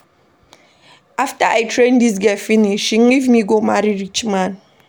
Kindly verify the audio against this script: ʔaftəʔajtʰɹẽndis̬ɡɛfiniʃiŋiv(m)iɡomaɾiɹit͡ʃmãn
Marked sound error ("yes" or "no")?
no